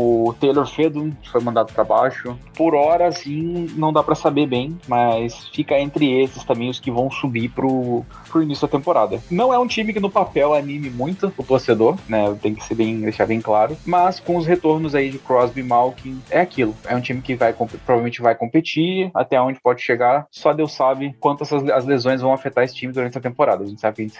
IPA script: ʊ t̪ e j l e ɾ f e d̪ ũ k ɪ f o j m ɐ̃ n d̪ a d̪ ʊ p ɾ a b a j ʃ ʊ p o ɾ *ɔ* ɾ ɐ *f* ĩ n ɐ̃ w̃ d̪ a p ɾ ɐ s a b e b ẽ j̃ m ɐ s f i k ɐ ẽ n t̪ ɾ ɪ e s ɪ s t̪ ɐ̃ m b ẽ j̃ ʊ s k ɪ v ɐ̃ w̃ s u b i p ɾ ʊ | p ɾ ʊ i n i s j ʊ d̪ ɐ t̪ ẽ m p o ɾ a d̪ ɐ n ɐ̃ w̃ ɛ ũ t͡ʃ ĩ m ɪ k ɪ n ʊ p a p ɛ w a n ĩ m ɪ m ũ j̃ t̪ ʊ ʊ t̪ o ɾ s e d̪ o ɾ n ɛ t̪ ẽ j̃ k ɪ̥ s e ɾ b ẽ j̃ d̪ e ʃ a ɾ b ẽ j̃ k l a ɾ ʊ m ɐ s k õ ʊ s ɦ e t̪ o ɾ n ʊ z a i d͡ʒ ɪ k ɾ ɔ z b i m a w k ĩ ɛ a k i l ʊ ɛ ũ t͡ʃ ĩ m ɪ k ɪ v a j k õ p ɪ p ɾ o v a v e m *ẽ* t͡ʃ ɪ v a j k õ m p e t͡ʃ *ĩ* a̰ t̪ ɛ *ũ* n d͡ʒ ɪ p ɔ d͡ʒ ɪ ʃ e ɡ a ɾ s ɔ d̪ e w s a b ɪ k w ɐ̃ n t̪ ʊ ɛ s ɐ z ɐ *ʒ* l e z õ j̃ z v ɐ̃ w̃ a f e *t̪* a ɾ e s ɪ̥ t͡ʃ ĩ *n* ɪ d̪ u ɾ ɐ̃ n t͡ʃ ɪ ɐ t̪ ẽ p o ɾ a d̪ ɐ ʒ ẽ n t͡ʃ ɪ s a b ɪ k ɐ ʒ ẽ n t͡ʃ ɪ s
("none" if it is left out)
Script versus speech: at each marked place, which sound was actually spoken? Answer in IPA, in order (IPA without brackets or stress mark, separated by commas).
ɔ, s, ẽ, i, õ, z, t̪, m